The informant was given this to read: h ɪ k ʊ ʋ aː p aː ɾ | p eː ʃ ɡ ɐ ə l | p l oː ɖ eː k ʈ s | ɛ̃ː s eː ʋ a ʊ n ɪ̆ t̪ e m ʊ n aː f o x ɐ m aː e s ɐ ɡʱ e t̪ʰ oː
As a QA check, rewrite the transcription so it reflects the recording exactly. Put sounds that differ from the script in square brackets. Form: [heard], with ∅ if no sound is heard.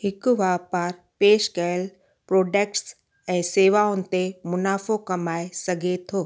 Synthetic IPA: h ɪ k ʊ ʋ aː p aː ɾ | p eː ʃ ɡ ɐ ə l | p [ɾ] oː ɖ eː k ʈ s | ɛ̃ː s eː ʋ a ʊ n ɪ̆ t̪ e m ʊ n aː f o [k] ɐ m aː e s ɐ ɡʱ e t̪ʰ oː